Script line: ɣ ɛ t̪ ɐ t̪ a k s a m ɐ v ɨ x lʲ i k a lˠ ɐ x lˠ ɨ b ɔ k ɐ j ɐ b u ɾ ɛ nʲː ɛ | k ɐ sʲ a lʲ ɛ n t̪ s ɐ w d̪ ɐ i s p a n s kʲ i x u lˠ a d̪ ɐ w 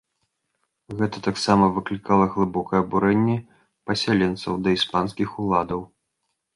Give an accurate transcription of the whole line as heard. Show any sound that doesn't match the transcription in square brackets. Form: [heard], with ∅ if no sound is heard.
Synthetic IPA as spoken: ɣ ɛ t̪ ɐ t̪ a k s a m ɐ v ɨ [k] lʲ i k a lˠ ɐ [ɣ] lˠ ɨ b ɔ k ɐ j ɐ b u ɾ ɛ nʲː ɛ | [p] ɐ sʲ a lʲ ɛ n t̪ s ɐ w d̪ ɐ i s p a n s kʲ i x u lˠ a d̪ ɐ w